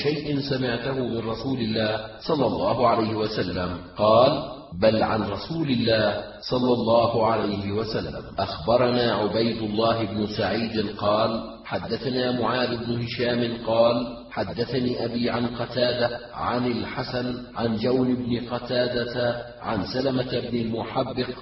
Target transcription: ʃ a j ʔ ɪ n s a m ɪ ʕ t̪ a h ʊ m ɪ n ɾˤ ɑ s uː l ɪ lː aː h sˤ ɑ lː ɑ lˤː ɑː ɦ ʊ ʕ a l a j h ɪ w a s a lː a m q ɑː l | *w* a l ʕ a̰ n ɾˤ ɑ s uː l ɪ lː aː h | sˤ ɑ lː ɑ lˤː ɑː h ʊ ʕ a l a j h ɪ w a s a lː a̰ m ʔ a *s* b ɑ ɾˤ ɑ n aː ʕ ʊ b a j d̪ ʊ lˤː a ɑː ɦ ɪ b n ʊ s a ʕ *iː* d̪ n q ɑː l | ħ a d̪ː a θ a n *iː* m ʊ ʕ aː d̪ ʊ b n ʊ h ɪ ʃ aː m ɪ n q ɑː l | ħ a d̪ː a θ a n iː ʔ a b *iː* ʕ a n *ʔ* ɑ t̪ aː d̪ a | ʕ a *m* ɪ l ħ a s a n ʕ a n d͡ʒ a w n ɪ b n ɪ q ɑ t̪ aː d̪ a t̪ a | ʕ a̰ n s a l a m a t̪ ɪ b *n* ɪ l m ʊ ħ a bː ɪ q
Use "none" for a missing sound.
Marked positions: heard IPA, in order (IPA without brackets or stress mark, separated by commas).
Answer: b, x, iː, aː, iː, q, n, n